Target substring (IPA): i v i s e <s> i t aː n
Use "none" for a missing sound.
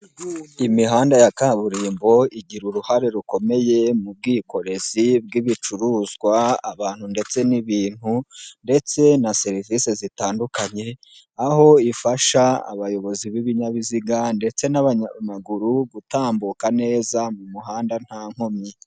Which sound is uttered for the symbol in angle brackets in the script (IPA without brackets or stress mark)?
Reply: z